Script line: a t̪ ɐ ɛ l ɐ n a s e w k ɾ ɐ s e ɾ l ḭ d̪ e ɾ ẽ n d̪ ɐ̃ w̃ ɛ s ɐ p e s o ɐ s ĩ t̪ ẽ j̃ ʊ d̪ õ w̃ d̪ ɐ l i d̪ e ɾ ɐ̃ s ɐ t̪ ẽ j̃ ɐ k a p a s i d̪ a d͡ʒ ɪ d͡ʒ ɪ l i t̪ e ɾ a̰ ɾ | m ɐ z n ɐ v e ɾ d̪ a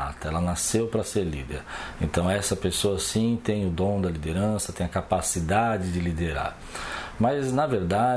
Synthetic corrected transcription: a t̪ ɐ ɛ l ɐ n a s e w p ɾ ɐ s e ɾ l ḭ d̪ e ɾ ẽ n t̪ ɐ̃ w̃ ɛ s ɐ p e s o ɐ s ĩ t̪ ẽ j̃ ʊ d̪ õ w̃ d̪ ɐ l i d̪ e ɾ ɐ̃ s ɐ t̪ ẽ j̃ ɐ k a p a s i d̪ a d͡ʒ ɪ d͡ʒ ɪ l i d̪ e ɾ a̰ ɾ | m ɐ z n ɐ v e ɾ d̪ a